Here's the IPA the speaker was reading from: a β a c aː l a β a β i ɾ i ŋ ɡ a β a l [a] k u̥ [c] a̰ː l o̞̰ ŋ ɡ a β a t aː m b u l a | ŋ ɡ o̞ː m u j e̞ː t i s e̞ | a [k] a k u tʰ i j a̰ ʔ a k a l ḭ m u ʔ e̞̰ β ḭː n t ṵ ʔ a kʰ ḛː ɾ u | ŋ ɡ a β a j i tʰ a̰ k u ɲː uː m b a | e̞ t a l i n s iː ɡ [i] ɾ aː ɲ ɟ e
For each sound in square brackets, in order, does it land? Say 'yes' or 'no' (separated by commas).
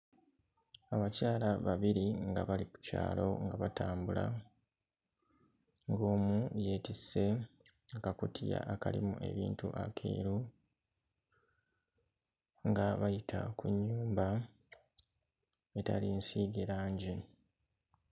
no, yes, yes, no